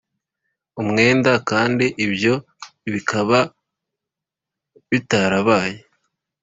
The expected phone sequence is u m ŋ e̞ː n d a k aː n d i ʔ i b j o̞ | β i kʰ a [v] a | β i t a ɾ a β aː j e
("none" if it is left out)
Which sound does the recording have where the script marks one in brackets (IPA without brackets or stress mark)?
β